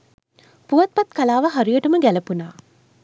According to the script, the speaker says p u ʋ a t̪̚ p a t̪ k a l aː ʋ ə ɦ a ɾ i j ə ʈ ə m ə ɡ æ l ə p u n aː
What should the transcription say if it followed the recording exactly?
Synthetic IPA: p u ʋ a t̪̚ p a t̪ k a l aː ʋ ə ɦ a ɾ i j ə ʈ ə m ə ɡ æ l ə p u n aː